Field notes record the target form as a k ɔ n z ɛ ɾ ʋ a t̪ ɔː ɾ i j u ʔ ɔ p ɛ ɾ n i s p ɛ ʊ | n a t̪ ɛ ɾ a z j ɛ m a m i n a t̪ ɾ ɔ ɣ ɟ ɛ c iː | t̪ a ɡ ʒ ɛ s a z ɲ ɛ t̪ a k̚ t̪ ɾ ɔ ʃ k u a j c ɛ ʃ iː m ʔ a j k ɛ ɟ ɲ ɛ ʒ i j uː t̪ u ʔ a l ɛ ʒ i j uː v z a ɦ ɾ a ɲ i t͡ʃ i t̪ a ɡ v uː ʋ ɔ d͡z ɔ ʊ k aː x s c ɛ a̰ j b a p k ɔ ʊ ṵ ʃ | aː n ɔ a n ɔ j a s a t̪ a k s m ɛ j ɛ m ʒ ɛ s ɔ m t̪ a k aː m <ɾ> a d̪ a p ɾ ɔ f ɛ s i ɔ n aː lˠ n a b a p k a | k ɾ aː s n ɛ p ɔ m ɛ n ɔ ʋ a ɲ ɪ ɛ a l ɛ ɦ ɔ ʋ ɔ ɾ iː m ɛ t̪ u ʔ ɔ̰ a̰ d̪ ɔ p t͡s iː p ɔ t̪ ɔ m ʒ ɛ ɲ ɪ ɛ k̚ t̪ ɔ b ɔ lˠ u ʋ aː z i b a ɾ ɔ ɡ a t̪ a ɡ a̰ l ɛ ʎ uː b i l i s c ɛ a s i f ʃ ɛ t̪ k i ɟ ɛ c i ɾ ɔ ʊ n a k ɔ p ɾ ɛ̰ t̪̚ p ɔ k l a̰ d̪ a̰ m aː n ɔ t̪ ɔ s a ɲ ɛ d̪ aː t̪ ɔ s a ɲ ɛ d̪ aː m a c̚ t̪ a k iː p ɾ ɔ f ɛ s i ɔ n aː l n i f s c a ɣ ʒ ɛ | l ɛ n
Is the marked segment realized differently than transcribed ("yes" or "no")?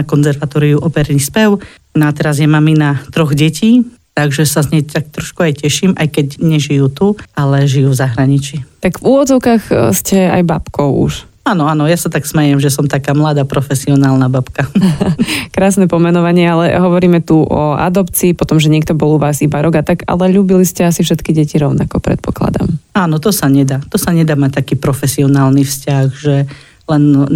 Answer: yes